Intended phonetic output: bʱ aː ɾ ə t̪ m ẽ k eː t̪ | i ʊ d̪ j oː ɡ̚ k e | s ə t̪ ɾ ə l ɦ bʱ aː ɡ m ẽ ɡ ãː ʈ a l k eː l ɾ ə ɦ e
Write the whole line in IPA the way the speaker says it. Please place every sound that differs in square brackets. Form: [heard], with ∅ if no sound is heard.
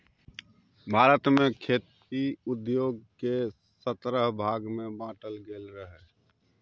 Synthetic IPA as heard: bʱ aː ɾ ə t̪ m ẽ [kʰ] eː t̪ | i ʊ d̪ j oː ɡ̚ k e | s ə t̪ ɾ ə [∅] ɦ bʱ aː ɡ m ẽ [b] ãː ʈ [ə] l [ɡ] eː l ɾ ə ɦ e

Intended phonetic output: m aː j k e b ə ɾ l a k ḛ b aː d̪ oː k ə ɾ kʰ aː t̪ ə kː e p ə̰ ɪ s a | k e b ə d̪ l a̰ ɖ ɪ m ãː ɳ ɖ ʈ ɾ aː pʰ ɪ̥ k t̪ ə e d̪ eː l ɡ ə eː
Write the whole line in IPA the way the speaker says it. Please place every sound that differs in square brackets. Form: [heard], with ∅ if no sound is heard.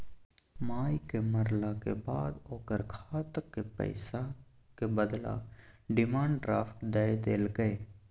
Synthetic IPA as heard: m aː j k e [m] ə ɾ l a k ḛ b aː d̪ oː k ə ɾ kʰ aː t̪ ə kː e p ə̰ ɪ s a | k e b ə d̪ l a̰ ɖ ɪ m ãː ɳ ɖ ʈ ɾ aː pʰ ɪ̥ k [d̪] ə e d̪ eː l ɡ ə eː

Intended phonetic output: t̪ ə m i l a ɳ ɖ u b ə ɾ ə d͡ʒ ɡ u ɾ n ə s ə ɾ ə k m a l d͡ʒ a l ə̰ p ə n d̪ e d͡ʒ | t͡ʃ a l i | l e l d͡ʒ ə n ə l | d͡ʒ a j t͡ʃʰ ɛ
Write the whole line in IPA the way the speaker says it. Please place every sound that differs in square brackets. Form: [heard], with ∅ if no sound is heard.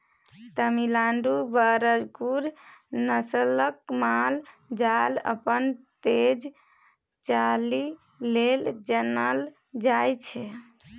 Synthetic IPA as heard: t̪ ə m i l a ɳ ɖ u b ə ɾ ə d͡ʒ ɡ u ɾ n ə s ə [l] ə k m a l d͡ʒ a l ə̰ p ə n [t̪] e d͡ʒ | t͡ʃ a l i | l e l d͡ʒ ə n ə l | d͡ʒ a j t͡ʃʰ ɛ

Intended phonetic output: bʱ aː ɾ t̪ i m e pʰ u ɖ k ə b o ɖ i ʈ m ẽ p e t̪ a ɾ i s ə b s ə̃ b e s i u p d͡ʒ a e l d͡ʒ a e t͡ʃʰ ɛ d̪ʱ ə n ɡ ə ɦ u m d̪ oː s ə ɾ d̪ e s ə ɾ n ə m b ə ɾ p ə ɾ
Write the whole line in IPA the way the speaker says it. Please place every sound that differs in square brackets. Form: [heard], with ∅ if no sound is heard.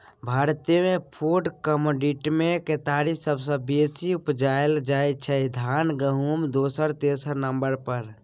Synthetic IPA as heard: bʱ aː ɾ t̪ i m e pʰ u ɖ k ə [m] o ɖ i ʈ m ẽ [k] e t̪ a ɾ i s ə b s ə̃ b e s i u p d͡ʒ a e l d͡ʒ a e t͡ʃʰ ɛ d̪ʱ [a] n ɡ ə ɦ u m d̪ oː s ə ɾ [t̪] e s ə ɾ n ə m b ə ɾ p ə ɾ

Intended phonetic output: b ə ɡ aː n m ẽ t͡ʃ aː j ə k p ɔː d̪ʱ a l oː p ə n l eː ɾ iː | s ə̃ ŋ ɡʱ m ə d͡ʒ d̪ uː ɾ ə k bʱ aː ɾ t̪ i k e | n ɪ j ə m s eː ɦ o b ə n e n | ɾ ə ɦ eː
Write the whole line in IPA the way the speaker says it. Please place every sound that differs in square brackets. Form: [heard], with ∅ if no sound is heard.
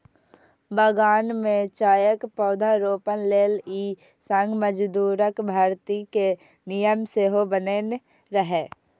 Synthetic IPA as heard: b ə ɡ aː n m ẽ t͡ʃ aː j ə k p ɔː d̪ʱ a [ɾ] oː p ə n l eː [l] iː | s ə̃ ŋ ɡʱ m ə d͡ʒ d̪ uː ɾ ə k bʱ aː ɾ t̪ i k e | n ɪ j ə m s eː ɦ o b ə n e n | ɾ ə ɦ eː

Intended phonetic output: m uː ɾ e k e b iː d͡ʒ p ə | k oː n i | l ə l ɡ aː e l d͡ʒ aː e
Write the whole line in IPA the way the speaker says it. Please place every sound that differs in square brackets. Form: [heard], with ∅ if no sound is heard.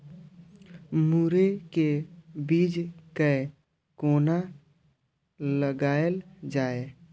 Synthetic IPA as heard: m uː ɾ e k e b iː d͡ʒ [k] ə | k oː n [a] | l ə [∅] ɡ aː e l d͡ʒ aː e

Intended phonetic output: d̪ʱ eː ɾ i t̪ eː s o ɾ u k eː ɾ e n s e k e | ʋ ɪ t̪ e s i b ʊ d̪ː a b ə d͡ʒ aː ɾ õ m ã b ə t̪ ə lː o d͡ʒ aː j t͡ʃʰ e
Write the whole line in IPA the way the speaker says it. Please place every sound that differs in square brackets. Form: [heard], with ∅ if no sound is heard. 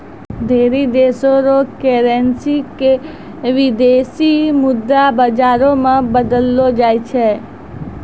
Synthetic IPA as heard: d̪ʱ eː ɾ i [d̪] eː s o ɾ [o] k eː ɾ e n s [i] k e | ʋ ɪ [d̪] e s i [m] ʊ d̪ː a b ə d͡ʒ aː ɾ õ m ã b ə [d̪] ə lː o d͡ʒ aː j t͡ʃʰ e

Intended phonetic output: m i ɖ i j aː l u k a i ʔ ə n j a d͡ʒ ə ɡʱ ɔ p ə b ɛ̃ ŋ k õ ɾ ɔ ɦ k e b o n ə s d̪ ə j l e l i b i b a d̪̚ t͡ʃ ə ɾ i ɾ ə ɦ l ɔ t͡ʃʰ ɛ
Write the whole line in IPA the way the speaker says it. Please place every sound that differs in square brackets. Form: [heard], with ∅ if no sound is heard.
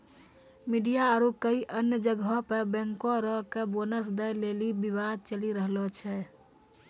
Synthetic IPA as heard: m i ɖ i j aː [ɾ] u k [ə] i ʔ ə n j [ə] d͡ʒ ə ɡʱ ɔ p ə b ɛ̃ ŋ k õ ɾ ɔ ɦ k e b o n ə s d̪ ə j l e l i b i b a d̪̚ t͡ʃ ə [l] i ɾ ə ɦ l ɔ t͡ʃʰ ɛ

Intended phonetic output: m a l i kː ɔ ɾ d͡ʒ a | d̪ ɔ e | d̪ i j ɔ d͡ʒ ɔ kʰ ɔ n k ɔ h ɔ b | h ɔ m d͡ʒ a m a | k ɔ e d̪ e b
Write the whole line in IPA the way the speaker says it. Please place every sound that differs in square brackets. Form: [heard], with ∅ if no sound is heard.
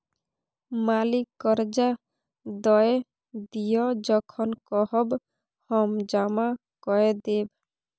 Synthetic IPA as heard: m a l i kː ɔ ɾ d͡ʒ a | d̪ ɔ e | d̪ i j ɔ d͡ʒ ɔ kʰ ɔ n k ɔ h ɔ b | h ɔ m d͡ʒ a m a | k ɔ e d̪ e b

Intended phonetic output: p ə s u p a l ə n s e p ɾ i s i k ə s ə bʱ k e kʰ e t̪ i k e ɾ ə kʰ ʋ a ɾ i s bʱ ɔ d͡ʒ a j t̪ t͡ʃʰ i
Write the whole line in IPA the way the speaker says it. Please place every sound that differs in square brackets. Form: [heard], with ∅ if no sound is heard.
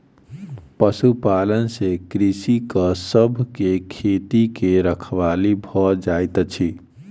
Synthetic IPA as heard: p ə s u p a l ə n s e [k] ɾ i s i k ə s ə bʱ k e kʰ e t̪ i k e ɾ ə kʰ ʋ a [l] i [∅] bʱ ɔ d͡ʒ a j t̪ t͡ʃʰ i

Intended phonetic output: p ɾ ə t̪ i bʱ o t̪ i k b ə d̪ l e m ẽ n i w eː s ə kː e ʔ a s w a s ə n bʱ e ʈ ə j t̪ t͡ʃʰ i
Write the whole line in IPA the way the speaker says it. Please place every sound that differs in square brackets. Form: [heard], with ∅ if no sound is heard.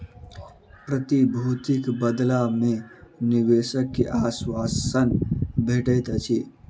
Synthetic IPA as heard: p ɾ ə t̪ i bʱ [u] t̪ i k b ə d̪ l [a] m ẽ n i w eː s ə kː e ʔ a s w a s ə n bʱ e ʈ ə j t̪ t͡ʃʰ i

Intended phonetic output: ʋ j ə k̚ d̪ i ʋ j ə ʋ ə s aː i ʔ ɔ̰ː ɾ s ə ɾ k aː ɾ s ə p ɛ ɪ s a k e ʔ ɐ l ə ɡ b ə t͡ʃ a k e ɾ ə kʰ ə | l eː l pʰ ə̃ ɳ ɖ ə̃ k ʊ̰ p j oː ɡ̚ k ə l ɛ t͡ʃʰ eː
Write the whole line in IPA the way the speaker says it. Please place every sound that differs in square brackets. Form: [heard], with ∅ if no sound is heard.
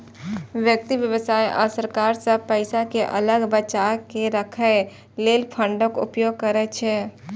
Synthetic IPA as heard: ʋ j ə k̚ [t̪] i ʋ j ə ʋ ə s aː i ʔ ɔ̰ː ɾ s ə ɾ k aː ɾ s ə p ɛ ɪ s a k e ʔ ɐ l ə ɡ b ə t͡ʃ a k e ɾ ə kʰ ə | l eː l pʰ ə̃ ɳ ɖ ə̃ k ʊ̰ p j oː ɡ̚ k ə [ɾ] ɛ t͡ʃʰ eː

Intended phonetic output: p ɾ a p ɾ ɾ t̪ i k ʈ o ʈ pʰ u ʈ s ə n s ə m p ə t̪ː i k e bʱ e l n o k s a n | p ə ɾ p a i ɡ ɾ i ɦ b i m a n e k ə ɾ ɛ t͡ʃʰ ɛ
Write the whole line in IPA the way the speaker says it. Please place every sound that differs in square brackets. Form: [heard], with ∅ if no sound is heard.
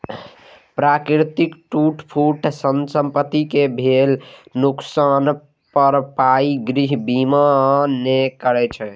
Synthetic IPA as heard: p ɾ a [k] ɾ ɾ t̪ i k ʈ [u] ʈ pʰ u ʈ s ə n s ə m p ə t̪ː i k e bʱ e l n [u] k s a n | p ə ɾ p a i ɡ ɾ i ɦ b i m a n e k ə ɾ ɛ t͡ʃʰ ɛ

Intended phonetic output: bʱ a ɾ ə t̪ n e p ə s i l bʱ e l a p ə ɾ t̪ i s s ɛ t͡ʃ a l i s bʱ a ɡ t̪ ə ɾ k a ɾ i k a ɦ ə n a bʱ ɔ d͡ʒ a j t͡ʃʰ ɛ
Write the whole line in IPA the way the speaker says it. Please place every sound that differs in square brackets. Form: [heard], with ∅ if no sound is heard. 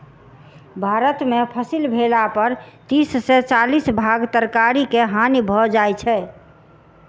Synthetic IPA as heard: bʱ a ɾ ə t̪ [m] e [pʰ] ə s i l bʱ e l a p ə ɾ t̪ i s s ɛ t͡ʃ a l i s bʱ a ɡ t̪ ə ɾ k a ɾ i k [e] ɦ [a] n [i] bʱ ɔ d͡ʒ a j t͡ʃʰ ɛ

